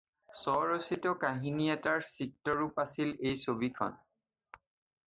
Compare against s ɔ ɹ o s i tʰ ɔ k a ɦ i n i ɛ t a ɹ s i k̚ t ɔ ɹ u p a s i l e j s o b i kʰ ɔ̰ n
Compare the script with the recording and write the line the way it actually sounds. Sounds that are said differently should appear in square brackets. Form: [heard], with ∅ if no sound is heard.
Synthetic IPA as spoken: s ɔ ɹ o s i [t] ɔ k a ɦ i n i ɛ t a ɹ s i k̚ t ɔ ɹ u p a s i l e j s o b i kʰ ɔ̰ n